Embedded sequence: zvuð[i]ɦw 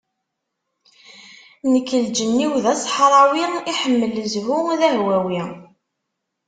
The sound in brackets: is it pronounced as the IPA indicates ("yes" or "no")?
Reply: no